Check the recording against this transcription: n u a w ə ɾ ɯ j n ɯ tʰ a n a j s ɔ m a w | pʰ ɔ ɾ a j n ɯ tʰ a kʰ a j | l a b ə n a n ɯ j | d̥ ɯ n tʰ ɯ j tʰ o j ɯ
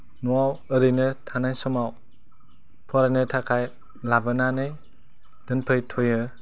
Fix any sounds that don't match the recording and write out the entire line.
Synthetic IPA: n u a w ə ɾ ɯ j n ɯ tʰ a n a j s ɔ m a w | pʰ ɔ ɾ a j n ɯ tʰ a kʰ a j | l a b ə n a n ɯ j | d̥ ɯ n pʰ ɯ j tʰ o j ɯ